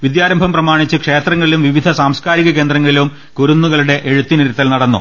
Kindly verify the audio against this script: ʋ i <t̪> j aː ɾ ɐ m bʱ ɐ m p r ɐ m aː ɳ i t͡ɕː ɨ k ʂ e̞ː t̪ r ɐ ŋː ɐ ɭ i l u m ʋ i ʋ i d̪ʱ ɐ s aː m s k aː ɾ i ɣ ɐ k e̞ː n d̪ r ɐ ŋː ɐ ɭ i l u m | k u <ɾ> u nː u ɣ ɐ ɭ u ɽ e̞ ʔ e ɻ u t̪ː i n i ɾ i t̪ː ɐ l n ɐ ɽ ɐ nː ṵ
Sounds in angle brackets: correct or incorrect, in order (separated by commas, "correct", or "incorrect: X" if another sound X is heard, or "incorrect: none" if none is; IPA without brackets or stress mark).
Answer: incorrect: d̪, correct